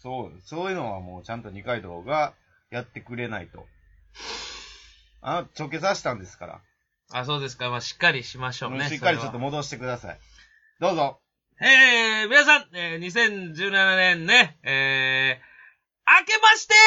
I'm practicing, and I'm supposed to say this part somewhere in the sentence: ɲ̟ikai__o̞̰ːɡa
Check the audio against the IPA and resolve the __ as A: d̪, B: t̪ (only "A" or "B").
A